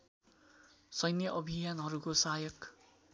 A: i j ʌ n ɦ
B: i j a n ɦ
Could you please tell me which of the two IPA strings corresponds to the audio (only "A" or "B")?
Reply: B